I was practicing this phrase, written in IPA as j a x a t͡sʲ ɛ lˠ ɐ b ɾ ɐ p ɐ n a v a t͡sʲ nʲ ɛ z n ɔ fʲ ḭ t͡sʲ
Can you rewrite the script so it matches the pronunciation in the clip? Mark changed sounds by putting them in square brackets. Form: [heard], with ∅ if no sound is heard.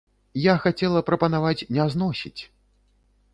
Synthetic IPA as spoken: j a x a t͡sʲ ɛ lˠ ɐ [p] ɾ ɐ p ɐ n a v a t͡sʲ nʲ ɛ z n ɔ [sʲ] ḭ t͡sʲ

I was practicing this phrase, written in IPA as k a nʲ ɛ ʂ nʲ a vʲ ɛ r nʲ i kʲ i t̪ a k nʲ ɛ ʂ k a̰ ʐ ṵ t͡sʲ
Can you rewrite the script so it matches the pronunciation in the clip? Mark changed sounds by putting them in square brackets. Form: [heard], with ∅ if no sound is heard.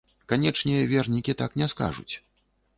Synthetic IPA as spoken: k a nʲ ɛ [t͡ʂ] nʲ [ɛ] vʲ ɛ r nʲ i kʲ i t̪ a k nʲ ɛ [s] k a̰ ʐ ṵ t͡sʲ

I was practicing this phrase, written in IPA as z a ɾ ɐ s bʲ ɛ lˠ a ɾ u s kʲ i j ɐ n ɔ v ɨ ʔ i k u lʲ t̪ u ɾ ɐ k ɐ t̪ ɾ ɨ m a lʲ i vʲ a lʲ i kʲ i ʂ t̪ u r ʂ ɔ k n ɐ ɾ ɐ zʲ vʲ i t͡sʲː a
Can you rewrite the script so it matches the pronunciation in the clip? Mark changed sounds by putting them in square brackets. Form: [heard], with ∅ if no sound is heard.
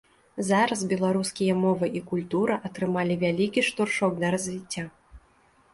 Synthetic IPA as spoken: z a ɾ ɐ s bʲ ɛ lˠ a ɾ u s kʲ i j ɐ [m] ɔ v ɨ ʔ i k u lʲ t̪ u ɾ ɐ [ʔ] ɐ t̪ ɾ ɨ m a lʲ i vʲ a lʲ i kʲ i ʂ t̪ u r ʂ ɔ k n ɐ ɾ ɐ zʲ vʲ i t͡sʲː a

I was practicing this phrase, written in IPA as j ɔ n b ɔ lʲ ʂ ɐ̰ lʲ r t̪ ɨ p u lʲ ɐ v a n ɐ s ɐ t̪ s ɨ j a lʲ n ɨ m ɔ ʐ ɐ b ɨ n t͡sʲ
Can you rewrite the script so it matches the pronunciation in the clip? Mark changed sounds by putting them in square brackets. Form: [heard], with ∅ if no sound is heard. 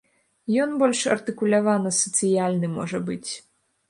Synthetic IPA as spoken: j ɔ n b ɔ lʲ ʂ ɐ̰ [∅] r t̪ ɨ [k] u lʲ [a] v a n ɐ s ɐ t̪ s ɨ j a lʲ n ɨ m ɔ ʐ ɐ b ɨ [∅] t͡sʲ

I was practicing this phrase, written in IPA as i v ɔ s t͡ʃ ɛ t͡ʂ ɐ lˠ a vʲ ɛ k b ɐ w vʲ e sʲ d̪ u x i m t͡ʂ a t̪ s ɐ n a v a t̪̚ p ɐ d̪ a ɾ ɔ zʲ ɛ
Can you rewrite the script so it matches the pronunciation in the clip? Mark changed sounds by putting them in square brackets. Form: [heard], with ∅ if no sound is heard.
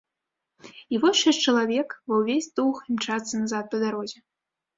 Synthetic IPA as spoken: i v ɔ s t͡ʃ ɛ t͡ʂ ɐ lˠ a vʲ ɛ k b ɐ w vʲ e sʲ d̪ u x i m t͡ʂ a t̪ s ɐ n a [z] a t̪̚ p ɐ d̪ a ɾ ɔ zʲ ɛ

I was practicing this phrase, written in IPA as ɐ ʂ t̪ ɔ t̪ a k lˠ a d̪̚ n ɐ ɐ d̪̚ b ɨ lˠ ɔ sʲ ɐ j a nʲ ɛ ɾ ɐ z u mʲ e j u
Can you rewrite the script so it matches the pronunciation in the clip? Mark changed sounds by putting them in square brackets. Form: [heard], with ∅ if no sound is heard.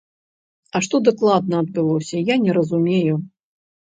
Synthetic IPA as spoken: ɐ ʂ t̪ ɔ [d̪] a k lˠ a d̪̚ n ɐ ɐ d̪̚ b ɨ lˠ ɔ sʲ ɐ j a nʲ ɛ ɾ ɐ z u mʲ e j u

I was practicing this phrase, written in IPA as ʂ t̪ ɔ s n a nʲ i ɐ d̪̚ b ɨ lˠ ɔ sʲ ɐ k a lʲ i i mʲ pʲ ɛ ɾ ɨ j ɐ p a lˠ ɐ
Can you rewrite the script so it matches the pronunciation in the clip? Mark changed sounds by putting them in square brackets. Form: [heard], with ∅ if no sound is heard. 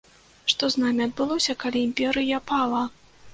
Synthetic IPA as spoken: ʂ t̪ ɔ [z] n a [mʲ] i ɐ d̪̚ b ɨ lˠ ɔ sʲ ɐ k a lʲ i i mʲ pʲ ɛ ɾ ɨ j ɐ p a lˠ ɐ

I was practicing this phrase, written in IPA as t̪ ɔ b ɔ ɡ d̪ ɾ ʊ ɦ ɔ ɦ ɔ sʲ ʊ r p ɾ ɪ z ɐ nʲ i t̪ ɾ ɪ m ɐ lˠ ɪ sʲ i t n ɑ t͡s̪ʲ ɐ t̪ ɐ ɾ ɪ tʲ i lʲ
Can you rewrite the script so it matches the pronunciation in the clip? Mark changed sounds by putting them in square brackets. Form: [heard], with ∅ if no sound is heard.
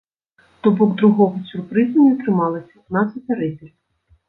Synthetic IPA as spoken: t̪ ɔ b ɔ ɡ d̪ ɾ ʊ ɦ ɔ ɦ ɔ sʲ ʊ r p ɾ ɪ z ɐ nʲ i t̪ ɾ ɪ m [ɑ] lˠ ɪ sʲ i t n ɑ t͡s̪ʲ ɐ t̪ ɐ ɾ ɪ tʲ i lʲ

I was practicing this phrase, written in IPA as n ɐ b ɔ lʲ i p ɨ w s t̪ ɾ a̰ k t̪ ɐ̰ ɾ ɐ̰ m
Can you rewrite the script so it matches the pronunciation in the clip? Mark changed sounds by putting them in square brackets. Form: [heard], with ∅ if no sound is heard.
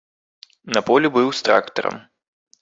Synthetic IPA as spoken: n ɐ [p] ɔ lʲ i [b] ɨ w s t̪ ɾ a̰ k t̪ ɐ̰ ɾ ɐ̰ m

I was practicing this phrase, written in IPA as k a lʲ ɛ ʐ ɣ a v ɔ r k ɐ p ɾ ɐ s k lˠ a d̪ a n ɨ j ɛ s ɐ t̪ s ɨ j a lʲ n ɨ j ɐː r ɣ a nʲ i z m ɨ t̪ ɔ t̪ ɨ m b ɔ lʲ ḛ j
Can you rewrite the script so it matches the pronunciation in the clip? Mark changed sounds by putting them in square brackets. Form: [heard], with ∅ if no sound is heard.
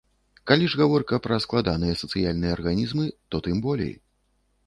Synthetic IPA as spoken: k a lʲ [i] ʐ ɣ a v ɔ r k ɐ p ɾ ɐ s k lˠ a d̪ a n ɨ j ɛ s ɐ t̪ s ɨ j a lʲ n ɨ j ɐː r ɣ a nʲ i z m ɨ t̪ ɔ t̪ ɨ m b ɔ lʲ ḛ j

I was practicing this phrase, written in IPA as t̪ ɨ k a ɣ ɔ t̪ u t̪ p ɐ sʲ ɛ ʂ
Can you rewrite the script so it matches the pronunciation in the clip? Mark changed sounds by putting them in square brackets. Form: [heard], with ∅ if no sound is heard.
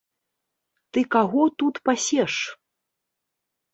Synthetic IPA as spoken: t̪ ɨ k a ɣ ɔ t̪ u t̪ p [a] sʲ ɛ ʂ

